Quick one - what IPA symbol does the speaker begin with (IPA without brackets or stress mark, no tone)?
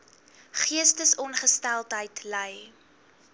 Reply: χ